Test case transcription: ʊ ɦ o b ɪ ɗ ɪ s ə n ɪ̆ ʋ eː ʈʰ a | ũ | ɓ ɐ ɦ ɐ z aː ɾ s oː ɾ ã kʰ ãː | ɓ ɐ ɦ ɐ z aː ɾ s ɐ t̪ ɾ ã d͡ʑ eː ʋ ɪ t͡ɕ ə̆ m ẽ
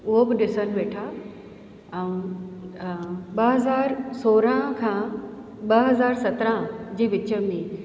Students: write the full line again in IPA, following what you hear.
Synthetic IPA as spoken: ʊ ɦ o b ɪ ɗ ɪ s ə n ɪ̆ ʋ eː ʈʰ a | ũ | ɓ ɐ ɦ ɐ z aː ɾ s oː ɾ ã kʰ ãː | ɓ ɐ ɦ ɐ z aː ɾ s ɐ t̪ ɾ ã d͡ʑ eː ʋ ɪ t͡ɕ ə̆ m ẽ